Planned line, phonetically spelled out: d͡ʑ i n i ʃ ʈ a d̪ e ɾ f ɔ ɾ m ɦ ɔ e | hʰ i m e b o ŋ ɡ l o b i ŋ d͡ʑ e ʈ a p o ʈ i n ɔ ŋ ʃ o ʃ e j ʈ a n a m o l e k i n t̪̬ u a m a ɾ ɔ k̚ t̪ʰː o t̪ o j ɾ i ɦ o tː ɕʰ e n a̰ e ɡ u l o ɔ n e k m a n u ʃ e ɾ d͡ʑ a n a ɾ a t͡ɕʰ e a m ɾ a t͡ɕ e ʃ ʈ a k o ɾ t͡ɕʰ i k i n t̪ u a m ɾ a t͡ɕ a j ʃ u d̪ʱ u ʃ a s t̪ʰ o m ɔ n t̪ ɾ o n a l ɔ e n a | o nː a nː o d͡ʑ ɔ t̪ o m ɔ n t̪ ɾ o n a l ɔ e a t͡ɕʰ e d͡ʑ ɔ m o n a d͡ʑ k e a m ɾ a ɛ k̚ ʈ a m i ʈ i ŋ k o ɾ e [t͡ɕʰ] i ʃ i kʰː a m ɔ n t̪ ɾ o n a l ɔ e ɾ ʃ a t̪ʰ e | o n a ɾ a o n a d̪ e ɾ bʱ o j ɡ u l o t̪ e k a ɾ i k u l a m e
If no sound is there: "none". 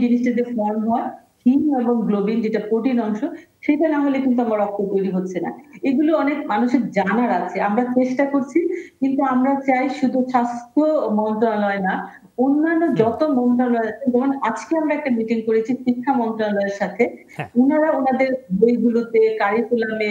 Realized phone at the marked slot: t͡ɕʰ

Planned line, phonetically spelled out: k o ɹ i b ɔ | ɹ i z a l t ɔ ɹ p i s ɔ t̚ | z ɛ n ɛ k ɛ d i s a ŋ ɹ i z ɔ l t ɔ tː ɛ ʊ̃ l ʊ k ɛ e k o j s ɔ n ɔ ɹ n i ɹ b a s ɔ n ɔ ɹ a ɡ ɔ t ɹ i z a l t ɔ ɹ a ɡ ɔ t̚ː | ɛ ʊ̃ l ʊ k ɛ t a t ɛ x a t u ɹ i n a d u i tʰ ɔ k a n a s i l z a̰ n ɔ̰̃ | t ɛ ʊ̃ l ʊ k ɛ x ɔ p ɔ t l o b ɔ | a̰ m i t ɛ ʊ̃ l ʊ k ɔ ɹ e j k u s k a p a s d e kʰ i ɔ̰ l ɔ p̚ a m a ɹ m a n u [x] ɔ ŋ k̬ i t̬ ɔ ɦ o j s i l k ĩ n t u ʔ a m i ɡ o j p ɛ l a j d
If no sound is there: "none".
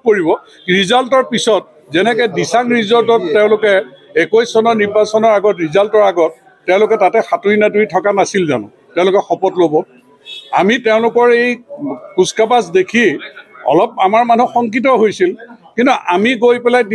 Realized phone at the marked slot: x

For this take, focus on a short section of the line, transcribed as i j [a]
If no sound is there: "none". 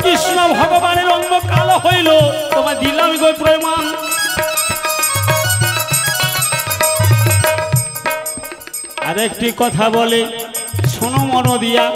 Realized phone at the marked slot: a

